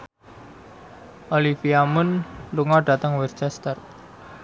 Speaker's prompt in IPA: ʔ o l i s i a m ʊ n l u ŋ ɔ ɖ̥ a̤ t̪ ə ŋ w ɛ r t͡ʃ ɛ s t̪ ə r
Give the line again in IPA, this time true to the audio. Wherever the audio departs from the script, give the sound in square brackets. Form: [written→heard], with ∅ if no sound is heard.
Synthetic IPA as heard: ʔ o l i [s→f] i a m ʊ n l u ŋ ɔ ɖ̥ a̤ t̪ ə ŋ w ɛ r t͡ʃ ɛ s t̪ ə r